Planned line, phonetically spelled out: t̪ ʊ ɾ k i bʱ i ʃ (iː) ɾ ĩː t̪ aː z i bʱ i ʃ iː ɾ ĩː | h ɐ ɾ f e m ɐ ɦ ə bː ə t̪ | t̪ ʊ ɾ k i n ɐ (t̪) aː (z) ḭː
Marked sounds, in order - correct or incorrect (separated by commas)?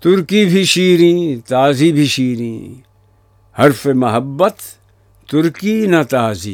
correct, correct, correct